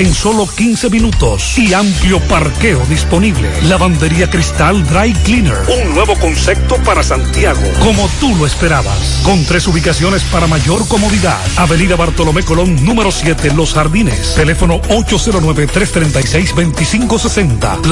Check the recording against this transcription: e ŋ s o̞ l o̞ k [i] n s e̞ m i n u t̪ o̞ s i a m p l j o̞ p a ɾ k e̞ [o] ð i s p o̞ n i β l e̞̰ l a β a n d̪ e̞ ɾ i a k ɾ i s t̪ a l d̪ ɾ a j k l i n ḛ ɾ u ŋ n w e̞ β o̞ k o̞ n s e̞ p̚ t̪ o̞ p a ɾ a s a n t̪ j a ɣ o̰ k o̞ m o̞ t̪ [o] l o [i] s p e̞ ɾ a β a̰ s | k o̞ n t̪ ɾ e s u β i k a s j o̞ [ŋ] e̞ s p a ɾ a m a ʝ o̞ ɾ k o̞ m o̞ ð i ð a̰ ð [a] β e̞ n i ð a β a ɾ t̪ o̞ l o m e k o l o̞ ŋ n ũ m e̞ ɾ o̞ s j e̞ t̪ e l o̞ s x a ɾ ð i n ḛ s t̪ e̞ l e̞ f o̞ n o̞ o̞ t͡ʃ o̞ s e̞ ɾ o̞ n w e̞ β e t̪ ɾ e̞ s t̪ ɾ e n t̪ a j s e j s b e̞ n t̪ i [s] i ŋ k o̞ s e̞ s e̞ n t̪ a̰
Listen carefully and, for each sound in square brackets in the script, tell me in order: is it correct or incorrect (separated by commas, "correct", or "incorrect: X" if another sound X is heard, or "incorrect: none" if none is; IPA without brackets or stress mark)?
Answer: correct, correct, incorrect: u, incorrect: e, incorrect: n, correct, correct